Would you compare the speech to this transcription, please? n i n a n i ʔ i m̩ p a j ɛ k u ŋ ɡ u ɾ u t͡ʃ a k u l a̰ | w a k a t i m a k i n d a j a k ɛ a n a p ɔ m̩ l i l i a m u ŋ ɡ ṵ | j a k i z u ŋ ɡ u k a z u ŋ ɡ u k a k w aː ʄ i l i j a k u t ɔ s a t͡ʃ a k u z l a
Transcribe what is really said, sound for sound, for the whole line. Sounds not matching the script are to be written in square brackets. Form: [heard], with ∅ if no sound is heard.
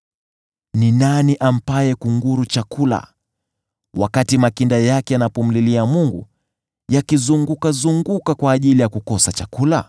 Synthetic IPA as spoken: n i n a n i ʔ [a] m̩ p a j ɛ k u ŋ ɡ u ɾ u t͡ʃ a k u l a̰ | w a k a t i m a k i n d a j a k ɛ a n a p ɔ m̩ l i l i a m u ŋ ɡ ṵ | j a k i z u ŋ ɡ u k a z u ŋ ɡ u k a k w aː ʄ i l i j a k u [k] ɔ s a t͡ʃ a k u [∅] l a